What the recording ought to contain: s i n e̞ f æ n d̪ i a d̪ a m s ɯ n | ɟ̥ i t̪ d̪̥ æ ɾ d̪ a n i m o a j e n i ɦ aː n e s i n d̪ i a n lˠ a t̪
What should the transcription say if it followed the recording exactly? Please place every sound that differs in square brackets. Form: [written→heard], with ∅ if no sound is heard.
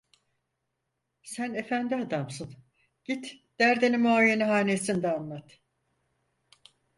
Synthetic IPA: s [i→æ] n e̞ f æ n d̪ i a d̪ a m s ɯ n | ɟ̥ i t̪ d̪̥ æ ɾ d̪ [a→e] n i m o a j e n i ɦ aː n e s i n d̪ [i→ɛ] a n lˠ a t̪